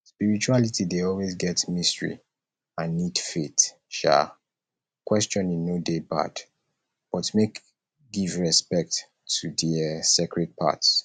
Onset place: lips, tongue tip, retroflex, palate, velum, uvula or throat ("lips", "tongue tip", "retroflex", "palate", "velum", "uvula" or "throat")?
tongue tip